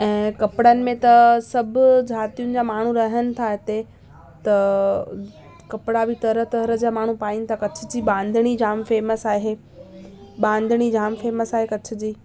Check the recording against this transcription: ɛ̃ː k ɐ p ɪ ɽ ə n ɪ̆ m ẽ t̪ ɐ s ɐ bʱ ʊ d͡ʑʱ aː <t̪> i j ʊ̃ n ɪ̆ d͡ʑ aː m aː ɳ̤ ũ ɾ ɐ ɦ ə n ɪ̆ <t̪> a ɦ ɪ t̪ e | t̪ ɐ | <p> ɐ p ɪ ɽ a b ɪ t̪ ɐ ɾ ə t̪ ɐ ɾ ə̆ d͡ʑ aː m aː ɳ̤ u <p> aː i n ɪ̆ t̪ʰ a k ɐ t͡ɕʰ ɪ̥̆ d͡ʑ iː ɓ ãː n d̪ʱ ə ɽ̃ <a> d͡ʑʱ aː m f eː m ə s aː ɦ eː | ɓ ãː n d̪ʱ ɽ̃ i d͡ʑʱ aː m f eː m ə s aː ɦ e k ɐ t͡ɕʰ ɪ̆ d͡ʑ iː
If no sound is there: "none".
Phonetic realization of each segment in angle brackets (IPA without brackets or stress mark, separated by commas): t̪, t̪ʰ, k, p, i